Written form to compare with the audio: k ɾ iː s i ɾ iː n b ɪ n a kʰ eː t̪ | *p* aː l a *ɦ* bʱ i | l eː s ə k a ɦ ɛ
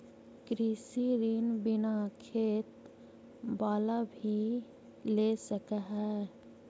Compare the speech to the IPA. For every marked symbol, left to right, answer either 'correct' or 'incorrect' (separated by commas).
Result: incorrect, incorrect